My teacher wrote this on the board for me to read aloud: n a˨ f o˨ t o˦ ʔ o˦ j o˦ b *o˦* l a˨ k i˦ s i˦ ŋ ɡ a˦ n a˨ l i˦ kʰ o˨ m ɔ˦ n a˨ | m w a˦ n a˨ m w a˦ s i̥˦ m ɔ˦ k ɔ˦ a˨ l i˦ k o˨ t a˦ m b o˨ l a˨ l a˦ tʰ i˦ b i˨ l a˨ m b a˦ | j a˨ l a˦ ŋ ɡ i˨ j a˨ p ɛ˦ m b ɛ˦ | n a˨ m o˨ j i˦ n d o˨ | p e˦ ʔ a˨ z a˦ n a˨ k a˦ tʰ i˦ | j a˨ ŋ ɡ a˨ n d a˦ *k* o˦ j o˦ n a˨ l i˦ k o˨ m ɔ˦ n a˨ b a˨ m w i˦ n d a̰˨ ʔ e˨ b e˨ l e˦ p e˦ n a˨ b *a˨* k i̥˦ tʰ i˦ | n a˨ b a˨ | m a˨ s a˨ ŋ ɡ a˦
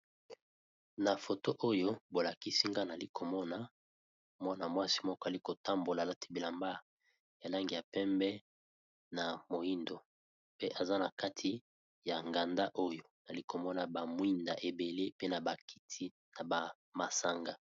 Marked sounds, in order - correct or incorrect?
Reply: incorrect, incorrect, correct

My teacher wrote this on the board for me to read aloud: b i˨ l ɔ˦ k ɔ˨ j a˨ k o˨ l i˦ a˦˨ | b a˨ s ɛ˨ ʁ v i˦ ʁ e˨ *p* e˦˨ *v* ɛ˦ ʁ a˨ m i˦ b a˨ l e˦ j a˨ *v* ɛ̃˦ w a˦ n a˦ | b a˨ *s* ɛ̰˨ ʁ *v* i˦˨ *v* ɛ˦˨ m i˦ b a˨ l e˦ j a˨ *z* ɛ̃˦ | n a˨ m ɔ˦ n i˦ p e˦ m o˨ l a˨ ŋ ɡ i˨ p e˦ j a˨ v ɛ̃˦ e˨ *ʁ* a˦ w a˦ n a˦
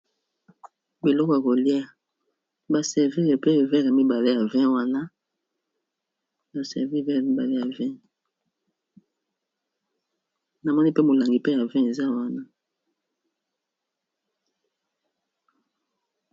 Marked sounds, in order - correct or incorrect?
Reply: correct, correct, correct, correct, correct, correct, incorrect, incorrect

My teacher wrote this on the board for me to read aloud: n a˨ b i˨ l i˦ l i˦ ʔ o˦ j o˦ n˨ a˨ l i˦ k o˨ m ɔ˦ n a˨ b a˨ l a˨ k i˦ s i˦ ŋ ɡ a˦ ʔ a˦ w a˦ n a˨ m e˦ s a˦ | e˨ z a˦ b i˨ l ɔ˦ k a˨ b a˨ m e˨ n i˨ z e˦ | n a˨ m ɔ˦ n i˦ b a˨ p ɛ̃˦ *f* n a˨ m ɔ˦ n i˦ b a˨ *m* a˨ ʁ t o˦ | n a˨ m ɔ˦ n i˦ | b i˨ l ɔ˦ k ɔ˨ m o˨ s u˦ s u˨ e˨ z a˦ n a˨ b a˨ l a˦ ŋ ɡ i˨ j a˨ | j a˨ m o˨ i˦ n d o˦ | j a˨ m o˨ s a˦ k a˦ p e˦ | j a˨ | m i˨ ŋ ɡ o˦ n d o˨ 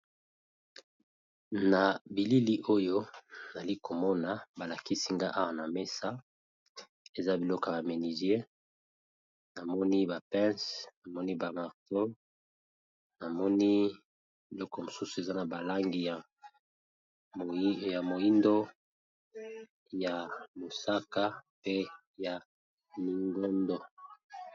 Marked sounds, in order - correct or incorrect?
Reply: incorrect, correct

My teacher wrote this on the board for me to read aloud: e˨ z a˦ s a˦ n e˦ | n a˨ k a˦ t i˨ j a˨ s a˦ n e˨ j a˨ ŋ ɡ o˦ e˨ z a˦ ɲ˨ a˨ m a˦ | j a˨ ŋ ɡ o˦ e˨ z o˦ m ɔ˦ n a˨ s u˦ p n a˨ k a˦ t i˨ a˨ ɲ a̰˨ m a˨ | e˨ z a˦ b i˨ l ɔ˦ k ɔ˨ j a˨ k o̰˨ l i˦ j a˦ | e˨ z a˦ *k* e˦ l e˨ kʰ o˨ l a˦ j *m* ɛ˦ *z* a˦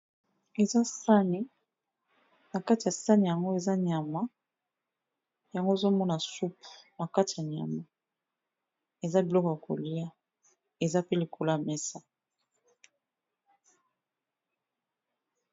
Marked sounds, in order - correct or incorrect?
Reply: incorrect, correct, incorrect

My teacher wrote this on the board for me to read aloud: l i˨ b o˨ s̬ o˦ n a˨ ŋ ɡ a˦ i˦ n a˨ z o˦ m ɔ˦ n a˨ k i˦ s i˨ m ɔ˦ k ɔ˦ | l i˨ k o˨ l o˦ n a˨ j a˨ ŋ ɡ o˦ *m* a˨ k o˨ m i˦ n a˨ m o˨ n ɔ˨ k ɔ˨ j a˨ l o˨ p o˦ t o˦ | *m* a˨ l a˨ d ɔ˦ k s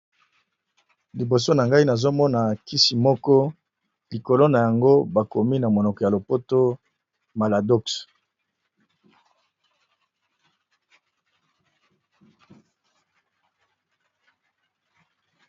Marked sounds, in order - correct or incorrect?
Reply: incorrect, correct

